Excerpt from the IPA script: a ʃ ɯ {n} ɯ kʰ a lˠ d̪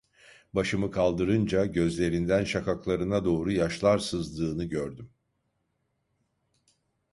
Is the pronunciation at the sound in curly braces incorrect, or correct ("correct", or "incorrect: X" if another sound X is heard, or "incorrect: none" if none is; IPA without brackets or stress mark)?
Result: incorrect: m